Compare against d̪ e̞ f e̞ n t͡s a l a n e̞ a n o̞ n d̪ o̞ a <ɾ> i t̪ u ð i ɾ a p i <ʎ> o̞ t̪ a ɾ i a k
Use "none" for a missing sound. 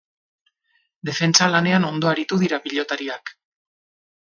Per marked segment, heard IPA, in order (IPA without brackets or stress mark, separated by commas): ɾ, ʎ